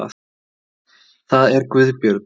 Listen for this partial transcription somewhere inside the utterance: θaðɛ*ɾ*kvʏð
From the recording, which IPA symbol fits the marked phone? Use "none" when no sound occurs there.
ɾ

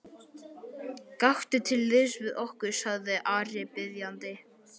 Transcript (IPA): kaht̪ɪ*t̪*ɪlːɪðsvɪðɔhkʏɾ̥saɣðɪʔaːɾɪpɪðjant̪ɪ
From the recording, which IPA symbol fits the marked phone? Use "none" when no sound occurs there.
t̪ʰ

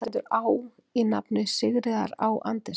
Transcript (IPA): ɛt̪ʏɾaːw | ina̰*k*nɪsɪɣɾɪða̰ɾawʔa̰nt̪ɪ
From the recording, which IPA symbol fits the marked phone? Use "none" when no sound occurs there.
p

